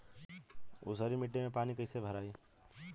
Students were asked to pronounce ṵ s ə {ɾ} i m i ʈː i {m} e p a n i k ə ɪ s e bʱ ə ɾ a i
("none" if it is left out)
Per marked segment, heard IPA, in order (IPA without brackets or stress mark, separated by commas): ɾ, m